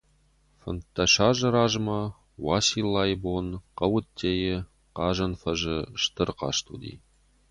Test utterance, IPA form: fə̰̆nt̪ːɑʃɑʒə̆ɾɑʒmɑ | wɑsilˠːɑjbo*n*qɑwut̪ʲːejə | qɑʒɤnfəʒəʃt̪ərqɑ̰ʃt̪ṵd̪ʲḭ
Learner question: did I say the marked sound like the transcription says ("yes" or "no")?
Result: yes